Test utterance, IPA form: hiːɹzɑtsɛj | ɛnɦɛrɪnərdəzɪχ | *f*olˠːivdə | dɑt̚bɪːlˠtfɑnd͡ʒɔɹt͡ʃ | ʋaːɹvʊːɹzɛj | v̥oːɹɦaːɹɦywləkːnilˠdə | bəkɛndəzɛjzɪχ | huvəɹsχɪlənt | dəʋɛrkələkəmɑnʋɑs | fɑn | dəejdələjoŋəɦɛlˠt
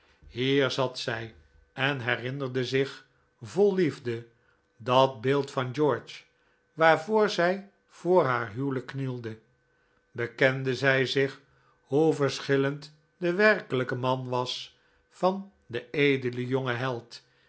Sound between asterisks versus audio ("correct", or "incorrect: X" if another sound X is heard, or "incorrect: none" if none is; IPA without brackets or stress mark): incorrect: v